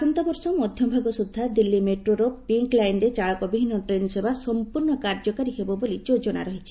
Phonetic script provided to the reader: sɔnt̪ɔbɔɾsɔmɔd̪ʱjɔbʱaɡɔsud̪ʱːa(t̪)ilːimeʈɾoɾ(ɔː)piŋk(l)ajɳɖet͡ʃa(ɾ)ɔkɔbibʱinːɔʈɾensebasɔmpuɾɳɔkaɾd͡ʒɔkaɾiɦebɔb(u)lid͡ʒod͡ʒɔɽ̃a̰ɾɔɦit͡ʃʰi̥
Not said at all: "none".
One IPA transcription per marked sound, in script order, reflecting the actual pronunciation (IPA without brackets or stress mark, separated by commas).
d̪, ɔ, l, ɭ, o